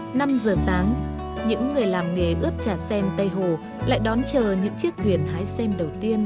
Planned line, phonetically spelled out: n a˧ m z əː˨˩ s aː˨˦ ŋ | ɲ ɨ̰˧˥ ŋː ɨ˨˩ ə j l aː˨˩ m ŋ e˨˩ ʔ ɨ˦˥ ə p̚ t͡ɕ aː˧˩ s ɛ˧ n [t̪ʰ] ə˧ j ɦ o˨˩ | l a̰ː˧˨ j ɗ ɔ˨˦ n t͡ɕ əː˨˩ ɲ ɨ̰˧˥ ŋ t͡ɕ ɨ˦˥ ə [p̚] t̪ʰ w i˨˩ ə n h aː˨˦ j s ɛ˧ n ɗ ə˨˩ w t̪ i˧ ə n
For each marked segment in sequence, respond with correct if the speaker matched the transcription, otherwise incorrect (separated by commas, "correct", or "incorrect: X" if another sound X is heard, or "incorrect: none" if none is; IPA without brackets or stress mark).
incorrect: t̪, incorrect: k̚